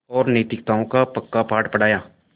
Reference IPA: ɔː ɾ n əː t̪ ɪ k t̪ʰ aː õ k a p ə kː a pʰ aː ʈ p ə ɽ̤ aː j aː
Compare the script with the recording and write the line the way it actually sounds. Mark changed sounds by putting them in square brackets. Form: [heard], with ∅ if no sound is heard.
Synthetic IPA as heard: ɔː ɾ n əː t̪ ɪ k [t̪] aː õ k a p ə kː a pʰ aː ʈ p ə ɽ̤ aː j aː